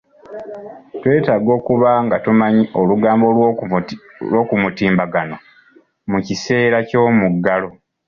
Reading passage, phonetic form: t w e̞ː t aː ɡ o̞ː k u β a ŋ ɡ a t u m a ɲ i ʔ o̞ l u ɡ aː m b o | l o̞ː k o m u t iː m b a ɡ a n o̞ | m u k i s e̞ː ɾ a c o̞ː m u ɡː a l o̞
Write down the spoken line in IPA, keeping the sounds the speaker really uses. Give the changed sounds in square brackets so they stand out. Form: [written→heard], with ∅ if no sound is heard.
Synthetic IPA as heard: t w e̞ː t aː ɡ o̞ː k u β a ŋ ɡ a t u m a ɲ i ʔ o̞ l u ɡ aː m b o | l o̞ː k [o→u] m u t iː m b a ɡ a n o̞ | m u [k→c] i s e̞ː ɾ a c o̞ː m u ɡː a l o̞